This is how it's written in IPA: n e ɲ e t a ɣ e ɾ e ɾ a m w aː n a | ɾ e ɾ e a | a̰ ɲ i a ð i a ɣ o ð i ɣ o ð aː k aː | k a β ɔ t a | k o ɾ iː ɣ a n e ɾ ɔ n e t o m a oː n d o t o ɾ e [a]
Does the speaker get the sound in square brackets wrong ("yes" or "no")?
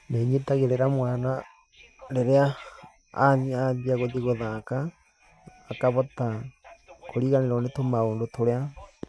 no